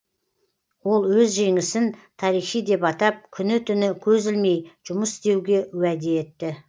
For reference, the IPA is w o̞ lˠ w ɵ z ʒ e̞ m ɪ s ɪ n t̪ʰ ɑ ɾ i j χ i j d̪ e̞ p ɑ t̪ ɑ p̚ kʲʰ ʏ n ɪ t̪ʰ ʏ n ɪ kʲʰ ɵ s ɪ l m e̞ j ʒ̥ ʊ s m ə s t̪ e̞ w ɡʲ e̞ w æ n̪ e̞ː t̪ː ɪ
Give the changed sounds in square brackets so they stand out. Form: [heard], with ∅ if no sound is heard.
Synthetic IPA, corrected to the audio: w o̞ lˠ w ɵ z ʒ e̞ [ŋ] ɪ s ɪ n t̪ʰ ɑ ɾ i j χ i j d̪ e̞ p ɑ t̪ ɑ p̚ kʲʰ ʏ n ɪ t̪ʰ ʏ n ɪ kʲʰ ɵ [z] ɪ l m e̞ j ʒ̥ ʊ [∅] m ə s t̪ e̞ w ɡʲ e̞ w æ [d̪] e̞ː t̪ː ɪ

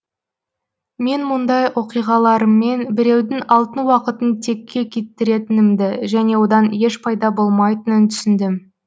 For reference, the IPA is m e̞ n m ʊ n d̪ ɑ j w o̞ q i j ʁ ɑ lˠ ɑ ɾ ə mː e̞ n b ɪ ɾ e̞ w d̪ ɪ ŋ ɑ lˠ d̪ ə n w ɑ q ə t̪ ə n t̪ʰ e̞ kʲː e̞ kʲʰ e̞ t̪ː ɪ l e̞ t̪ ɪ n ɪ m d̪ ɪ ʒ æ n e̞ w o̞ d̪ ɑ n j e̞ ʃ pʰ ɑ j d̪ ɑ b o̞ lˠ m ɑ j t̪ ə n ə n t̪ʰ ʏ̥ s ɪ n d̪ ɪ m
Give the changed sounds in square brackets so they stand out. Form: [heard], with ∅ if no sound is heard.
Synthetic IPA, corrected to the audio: m e̞ n m ʊ n d̪ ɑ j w o̞ q i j ʁ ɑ lˠ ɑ ɾ ə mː e̞ n b ɪ ɾ e̞ w d̪ ɪ ŋ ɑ lˠ [t̪] ə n w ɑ q ə t̪ ə n t̪ʰ e̞ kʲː e̞ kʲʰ e̞ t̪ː ɪ [ɾ] e̞ t̪ ɪ n ɪ m d̪ ɪ ʒ æ n e̞ w o̞ d̪ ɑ n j e̞ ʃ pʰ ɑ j d̪ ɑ b o̞ lˠ m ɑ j t̪ ə n ə n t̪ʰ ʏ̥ s ɪ n d̪ ɪ m

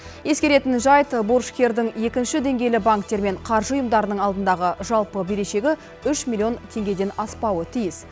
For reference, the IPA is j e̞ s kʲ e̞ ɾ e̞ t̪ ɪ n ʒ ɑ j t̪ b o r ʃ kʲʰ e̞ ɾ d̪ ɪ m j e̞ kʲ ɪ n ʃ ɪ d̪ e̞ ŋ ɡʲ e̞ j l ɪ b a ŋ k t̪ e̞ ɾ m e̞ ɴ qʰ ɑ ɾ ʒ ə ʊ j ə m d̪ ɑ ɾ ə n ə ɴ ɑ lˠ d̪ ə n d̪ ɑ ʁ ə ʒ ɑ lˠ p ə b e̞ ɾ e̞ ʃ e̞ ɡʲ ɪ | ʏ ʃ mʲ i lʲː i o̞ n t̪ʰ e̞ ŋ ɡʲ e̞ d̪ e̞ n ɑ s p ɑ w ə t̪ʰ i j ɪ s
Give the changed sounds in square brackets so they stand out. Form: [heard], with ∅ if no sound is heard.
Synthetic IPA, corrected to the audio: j e̞ s kʲ e̞ ɾ e̞ t̪ ɪ n ʒ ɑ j t̪ b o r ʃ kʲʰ e̞ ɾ d̪ ɪ [ŋ] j e̞ kʲ ɪ n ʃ ɪ d̪ e̞ ŋ ɡʲ e̞ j l ɪ b a ŋ k t̪ e̞ ɾ m e̞ ɴ qʰ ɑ ɾ ʒ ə ʊ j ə m d̪ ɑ ɾ ə n ə ɴ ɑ lˠ d̪ ə n d̪ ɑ ʁ ə ʒ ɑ lˠ p ə b e̞ ɾ e̞ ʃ e̞ ɡʲ ɪ | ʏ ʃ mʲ i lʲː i o̞ n t̪ʰ e̞ ŋ ɡʲ e̞ d̪ e̞ n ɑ s p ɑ w ə t̪ʰ i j ɪ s

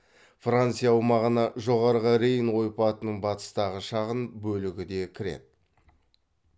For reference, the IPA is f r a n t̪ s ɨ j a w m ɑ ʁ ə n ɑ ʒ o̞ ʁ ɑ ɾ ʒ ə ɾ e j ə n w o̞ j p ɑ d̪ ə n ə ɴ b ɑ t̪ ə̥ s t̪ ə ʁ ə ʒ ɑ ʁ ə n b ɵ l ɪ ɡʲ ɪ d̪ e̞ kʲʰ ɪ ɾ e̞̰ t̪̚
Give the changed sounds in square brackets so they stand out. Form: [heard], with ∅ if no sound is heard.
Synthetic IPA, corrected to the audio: f r a n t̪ s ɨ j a w m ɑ ʁ ə n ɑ ʒ o̞ ʁ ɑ ɾ [ʁ] ə ɾ e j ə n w o̞ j p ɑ [t̪] ə n ə ɴ b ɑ t̪ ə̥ s t̪ [ɑ] ʁ ə [ʃ] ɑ ʁ ə n b ɵ l ɪ ɡʲ ɪ d̪ e̞ kʲʰ ɪ ɾ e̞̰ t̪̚

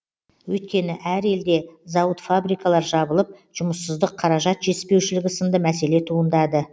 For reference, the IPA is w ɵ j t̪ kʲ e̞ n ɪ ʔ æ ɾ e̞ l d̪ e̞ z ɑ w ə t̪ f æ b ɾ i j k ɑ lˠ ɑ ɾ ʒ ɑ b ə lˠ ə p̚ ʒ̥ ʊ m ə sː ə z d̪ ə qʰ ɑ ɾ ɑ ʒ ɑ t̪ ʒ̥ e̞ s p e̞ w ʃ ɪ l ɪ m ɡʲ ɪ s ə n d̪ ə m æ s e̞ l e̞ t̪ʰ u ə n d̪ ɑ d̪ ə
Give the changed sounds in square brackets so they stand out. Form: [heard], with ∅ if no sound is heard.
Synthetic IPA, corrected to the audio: w ɵ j t̪ kʲ e̞ n ɪ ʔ æ ɾ e̞ l d̪ e̞ z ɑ w ə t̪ f [a] b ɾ i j k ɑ lˠ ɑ ɾ ʒ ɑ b ə lˠ ə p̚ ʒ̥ ʊ m ə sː ə z d̪ ə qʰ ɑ ɾ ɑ ʒ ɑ t̪ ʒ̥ e̞ s p e̞ w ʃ ɪ l ɪ [∅] ɡʲ ɪ s ə n d̪ ə m æ s e̞ l e̞ t̪ʰ u ə n d̪ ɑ d̪ ə

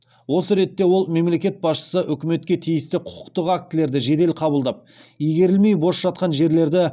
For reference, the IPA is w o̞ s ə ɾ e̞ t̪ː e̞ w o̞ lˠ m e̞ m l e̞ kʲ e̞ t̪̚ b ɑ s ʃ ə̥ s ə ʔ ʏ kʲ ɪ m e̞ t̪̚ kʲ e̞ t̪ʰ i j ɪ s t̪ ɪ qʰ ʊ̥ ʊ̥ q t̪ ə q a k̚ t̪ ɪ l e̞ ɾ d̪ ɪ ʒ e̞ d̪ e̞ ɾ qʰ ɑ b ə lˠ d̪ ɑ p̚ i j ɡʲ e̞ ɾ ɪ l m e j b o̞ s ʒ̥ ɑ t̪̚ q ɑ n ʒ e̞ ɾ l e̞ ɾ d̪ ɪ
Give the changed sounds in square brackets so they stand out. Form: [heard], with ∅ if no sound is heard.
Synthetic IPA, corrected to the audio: w o̞ s ə ɾ e̞ t̪ː e̞ w o̞ lˠ m e̞ m l e̞ kʲ e̞ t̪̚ b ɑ s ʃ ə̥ s ə ʔ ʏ kʲ ɪ m e̞ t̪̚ kʲ e̞ t̪ʰ i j ɪ s t̪ ɪ qʰ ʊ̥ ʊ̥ q t̪ ə q a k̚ t̪ ɪ l e̞ ɾ d̪ ɪ ʒ e̞ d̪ e̞ [l] qʰ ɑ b ə lˠ d̪ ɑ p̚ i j ɡʲ e̞ ɾ ɪ l m e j b o̞ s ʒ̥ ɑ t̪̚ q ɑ n ʒ e̞ ɾ l e̞ ɾ d̪ ɪ

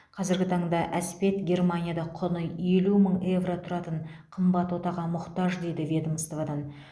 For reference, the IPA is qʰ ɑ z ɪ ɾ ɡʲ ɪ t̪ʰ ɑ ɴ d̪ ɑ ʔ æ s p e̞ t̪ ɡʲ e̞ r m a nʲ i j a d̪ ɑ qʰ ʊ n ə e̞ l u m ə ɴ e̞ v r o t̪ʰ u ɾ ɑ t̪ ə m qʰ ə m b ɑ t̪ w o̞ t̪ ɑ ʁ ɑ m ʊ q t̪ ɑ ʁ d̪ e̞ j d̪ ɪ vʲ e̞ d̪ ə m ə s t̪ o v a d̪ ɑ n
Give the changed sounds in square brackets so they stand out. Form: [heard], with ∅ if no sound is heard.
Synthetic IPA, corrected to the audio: qʰ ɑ z ɪ ɾ ɡʲ ɪ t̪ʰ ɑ ɴ d̪ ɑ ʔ æ s p e̞ t̪ ɡʲ e̞ r m a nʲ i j a d̪ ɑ qʰ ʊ n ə e̞ l u m ə ɴ e̞ v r o t̪ʰ [ʊ] ɾ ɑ t̪ ə [ɴ] qʰ ə m b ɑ t̪ w o̞ t̪ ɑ ʁ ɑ m ʊ q t̪ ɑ [ʒ] d̪ e̞ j d̪ ɪ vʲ e̞ d̪ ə m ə s t̪ o v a d̪ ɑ n

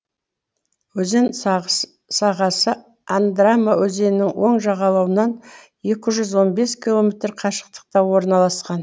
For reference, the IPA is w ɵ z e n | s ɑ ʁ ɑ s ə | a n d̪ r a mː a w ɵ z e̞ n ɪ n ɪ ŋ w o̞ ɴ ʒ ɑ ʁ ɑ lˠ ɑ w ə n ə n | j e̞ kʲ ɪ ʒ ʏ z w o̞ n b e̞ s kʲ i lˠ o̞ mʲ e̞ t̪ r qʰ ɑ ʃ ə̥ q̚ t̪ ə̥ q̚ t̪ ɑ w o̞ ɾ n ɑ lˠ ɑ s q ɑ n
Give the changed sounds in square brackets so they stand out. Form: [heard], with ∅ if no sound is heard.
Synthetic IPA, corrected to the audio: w ɵ z e n | s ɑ ʁ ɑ s ə | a n d̪ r a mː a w ɵ z e̞ n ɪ n ɪ ŋ w o̞ ɴ ʒ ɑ ʁ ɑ lˠ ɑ w ə n [ɑ] n | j e̞ kʲ ɪ ʒ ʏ z w o̞ n b e̞ s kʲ i lˠ o̞ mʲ e̞ t̪ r qʰ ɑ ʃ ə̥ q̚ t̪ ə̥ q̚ t̪ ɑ w o̞ ɾ n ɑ lˠ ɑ s q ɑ n

